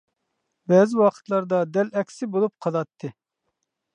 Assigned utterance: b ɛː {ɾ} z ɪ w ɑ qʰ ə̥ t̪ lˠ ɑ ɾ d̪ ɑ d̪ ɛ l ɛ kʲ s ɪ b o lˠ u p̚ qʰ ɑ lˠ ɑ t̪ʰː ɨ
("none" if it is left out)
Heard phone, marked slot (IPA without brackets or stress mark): none